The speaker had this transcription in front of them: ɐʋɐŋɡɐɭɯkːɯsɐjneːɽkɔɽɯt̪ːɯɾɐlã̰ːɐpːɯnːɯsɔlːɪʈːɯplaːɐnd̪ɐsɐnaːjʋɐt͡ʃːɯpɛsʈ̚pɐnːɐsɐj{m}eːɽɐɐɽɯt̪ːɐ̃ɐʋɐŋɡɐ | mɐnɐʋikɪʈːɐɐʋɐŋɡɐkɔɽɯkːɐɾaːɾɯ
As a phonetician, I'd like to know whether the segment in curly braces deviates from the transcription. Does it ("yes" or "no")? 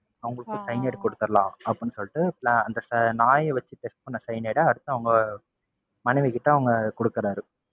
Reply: yes